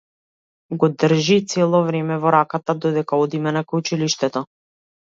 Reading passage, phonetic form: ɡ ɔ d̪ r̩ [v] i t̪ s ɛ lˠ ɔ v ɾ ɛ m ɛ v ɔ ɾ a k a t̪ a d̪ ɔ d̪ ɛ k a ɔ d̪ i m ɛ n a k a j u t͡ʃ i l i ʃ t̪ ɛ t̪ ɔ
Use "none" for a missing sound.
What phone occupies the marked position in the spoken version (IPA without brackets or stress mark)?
ʒ